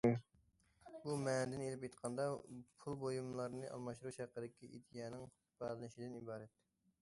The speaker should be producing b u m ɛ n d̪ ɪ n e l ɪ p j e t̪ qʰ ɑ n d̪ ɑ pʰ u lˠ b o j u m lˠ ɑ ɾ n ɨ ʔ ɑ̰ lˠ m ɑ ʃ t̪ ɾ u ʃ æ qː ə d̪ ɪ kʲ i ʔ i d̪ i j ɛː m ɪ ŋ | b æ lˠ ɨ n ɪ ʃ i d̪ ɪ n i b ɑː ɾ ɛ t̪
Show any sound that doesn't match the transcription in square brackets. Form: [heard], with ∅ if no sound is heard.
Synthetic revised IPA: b u m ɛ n d̪ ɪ n e l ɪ p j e t̪ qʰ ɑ n d̪ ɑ pʰ u lˠ b o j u m lˠ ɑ ɾ n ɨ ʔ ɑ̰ lˠ m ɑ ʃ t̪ ɾ u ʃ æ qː ə d̪ ɪ kʲ i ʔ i d̪ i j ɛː [n] ɪ ŋ | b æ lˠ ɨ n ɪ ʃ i d̪ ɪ n i b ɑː ɾ ɛ t̪